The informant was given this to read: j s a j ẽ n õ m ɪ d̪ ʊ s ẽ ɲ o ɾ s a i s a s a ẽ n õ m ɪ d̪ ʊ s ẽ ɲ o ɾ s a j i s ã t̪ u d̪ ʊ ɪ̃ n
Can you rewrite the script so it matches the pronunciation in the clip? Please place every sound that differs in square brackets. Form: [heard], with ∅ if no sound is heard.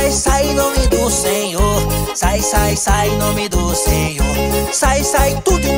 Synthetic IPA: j s a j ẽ n õ m ɪ d̪ ʊ s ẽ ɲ o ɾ s a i s a s a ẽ n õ m ɪ d̪ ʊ s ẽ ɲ o ɾ s a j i s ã t̪ u d̪ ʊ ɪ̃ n